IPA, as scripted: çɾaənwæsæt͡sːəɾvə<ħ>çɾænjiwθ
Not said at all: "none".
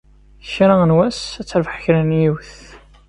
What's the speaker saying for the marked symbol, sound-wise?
ħ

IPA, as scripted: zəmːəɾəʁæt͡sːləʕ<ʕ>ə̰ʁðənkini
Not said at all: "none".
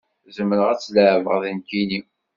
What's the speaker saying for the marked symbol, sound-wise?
v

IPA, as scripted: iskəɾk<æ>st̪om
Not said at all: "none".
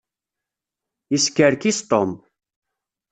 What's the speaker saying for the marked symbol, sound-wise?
i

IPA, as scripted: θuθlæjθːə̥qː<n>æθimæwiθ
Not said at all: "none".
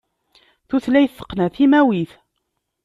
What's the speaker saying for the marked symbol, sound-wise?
n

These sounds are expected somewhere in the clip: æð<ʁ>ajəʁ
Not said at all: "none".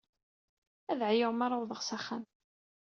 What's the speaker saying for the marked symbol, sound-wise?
ʕ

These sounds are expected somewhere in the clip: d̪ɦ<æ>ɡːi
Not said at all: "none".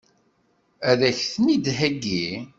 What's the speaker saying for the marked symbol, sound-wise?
æ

